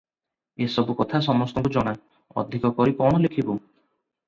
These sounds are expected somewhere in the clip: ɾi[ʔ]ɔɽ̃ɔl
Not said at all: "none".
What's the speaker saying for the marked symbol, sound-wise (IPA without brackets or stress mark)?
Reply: k